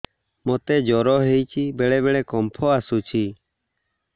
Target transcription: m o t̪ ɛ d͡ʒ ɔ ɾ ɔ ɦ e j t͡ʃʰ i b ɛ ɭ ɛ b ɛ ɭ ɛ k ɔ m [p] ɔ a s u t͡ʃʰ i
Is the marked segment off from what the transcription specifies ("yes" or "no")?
yes